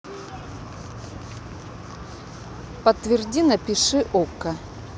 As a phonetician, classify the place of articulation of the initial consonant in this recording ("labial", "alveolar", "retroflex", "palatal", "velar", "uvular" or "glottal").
labial